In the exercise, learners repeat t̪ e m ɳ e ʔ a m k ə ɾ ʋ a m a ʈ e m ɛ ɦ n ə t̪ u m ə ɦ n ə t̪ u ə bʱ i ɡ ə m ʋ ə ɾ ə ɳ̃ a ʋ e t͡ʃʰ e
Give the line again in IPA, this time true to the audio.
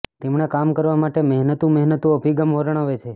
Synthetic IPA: t̪ e m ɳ e k a m k ə ɾ ʋ a m a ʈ e m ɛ ɦ n ə t̪ u m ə ɦ n ə t̪ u ə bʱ i ɡ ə m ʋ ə ɾ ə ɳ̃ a ʋ e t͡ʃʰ e